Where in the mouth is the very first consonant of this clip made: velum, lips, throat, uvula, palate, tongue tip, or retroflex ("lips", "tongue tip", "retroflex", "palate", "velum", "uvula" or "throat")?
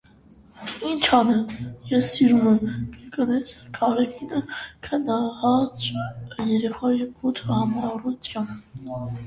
tongue tip